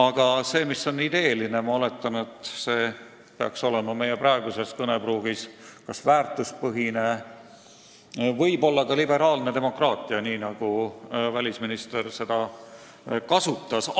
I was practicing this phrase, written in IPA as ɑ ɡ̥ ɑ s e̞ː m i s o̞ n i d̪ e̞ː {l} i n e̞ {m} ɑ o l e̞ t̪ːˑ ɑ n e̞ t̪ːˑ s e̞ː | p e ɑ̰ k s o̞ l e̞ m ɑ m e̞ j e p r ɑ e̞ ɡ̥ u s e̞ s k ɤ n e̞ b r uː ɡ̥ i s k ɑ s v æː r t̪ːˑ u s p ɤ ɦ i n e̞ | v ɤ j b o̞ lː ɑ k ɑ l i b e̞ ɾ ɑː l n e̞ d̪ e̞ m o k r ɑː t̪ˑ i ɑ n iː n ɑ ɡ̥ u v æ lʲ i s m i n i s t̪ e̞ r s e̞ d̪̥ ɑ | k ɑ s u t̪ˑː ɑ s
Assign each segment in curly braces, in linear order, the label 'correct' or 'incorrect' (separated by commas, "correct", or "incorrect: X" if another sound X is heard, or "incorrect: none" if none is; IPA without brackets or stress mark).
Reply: correct, correct